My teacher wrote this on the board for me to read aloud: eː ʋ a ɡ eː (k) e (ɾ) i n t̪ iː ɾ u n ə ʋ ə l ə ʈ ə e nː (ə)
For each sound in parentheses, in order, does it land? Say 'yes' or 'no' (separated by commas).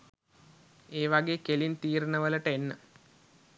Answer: yes, no, yes